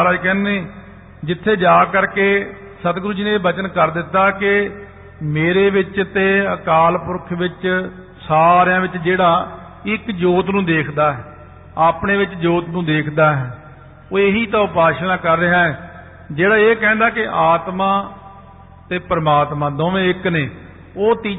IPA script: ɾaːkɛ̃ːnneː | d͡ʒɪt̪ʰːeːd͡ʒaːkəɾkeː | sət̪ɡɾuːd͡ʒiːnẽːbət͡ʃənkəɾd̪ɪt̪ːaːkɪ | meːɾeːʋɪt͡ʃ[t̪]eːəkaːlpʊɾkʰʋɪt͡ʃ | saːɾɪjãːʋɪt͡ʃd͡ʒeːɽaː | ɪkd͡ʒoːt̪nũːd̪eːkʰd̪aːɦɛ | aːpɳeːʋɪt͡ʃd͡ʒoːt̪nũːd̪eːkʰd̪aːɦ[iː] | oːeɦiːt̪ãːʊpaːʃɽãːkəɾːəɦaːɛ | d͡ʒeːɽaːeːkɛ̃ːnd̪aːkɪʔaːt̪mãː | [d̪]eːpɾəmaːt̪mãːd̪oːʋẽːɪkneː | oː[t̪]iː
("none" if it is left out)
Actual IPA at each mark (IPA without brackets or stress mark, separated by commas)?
t̪, ɛː, t̪, t̪